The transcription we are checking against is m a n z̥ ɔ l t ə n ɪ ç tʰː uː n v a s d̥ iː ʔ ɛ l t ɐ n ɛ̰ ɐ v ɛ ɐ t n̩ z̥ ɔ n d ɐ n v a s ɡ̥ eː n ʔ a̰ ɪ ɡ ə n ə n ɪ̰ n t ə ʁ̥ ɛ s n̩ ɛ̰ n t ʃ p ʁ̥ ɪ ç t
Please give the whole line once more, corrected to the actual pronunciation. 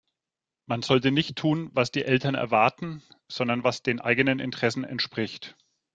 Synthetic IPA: m a n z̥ ɔ l t ə n ɪ ç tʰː uː n v a s d̥ iː ʔ ɛ l t ɐ n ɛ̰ ɐ v a ɐ t n̩ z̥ ɔ n d ɐ n v a s d̥ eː n ʔ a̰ ɪ ɡ ə n ə n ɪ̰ n t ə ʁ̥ ɛ s n̩ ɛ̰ n t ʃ p ʁ̥ ɪ ç t